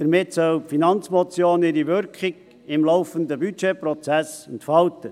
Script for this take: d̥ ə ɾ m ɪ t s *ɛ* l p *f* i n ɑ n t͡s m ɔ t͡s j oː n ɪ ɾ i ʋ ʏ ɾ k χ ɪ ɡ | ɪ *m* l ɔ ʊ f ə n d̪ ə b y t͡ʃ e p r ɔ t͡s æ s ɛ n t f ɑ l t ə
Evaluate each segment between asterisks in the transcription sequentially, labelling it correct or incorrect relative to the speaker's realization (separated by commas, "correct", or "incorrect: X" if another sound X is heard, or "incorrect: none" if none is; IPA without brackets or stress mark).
incorrect: œ, correct, correct